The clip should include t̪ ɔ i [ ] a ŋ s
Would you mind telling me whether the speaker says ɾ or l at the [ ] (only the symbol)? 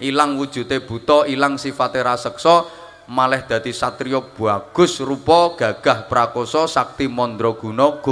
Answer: l